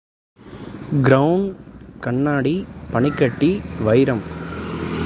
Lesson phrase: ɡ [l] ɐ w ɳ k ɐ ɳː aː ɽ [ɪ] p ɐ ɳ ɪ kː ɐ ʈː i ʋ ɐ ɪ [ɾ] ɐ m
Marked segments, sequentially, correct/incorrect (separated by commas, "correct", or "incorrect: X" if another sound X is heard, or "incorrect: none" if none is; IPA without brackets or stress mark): incorrect: ɾ, incorrect: i, correct